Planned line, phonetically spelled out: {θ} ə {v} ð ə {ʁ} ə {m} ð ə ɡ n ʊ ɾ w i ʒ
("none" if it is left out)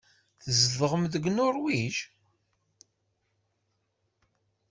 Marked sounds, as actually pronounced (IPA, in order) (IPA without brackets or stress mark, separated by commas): θ, z, ʁ, m